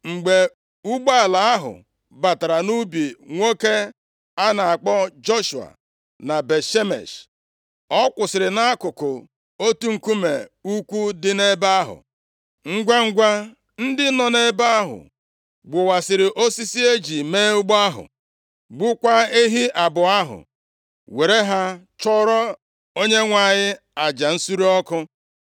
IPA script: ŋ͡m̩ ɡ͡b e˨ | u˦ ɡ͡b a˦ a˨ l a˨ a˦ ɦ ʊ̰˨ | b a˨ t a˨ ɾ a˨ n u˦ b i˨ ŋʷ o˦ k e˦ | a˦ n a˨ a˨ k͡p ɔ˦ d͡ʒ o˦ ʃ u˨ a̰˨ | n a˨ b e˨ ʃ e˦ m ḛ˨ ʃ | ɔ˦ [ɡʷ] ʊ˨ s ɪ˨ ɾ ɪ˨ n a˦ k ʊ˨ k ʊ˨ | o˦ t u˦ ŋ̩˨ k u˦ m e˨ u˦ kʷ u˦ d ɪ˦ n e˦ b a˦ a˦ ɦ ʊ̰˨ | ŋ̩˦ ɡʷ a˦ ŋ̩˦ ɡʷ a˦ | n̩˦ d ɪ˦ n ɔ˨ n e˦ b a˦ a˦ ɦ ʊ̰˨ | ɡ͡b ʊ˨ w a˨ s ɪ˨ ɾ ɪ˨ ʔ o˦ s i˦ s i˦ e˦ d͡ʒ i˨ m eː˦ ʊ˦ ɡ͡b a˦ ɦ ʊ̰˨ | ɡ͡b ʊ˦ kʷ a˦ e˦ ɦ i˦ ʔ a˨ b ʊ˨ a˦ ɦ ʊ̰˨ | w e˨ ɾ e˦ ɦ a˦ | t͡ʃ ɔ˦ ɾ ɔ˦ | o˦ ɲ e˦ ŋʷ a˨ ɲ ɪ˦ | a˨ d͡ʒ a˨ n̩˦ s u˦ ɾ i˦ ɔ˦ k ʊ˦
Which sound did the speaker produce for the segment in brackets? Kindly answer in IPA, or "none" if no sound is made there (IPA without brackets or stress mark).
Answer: kʷ